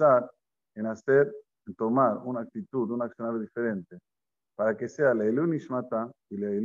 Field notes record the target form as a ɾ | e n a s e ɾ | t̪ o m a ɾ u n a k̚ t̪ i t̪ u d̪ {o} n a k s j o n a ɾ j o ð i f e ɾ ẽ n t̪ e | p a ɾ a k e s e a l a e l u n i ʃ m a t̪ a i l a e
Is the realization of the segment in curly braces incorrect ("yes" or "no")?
yes